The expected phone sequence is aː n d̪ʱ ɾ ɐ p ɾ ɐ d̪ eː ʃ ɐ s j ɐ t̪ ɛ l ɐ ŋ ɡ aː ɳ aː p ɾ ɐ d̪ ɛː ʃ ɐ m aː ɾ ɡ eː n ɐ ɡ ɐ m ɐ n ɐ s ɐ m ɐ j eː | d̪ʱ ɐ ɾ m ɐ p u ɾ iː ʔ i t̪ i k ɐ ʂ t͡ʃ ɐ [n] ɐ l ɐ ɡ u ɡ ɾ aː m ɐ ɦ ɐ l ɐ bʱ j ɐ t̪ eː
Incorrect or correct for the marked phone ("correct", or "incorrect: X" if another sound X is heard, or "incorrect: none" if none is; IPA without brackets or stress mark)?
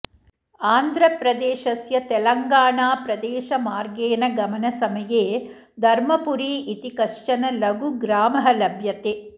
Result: correct